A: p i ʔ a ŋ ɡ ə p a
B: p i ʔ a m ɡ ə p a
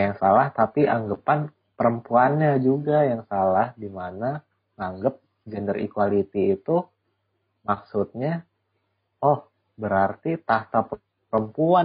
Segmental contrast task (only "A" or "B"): A